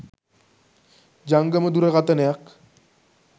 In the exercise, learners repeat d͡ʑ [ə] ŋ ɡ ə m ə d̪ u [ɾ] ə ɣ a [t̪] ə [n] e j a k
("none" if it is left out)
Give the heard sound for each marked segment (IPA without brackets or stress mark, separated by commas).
a, ɾ, t̪, n